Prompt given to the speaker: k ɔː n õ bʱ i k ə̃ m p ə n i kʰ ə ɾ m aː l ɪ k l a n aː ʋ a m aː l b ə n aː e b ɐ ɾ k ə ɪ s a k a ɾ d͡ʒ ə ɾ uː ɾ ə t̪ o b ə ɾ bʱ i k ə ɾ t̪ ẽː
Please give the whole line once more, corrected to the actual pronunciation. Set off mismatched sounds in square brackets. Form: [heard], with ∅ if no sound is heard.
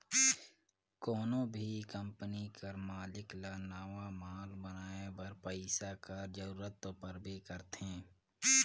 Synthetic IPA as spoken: k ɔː n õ bʱ i k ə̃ m p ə n i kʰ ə ɾ m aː l ɪ k l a n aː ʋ a m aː l b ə n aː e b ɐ ɾ [p] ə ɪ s a k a ɾ d͡ʒ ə ɾ uː ɾ ə t̪ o [p] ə ɾ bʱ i k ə ɾ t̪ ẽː